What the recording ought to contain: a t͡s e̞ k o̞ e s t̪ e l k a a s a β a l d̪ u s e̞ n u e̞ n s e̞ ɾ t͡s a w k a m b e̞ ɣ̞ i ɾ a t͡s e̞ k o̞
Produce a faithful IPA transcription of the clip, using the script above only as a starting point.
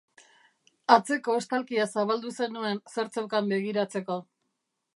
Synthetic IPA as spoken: a t͡s e̞ k o̞ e s t̪ a l k i a s a β a l d̪ u s e̞ n u e̞ n s e̞ ɾ t͡s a w k a m b e̞ ɣ̞ i ɾ a t͡s e̞ k o̞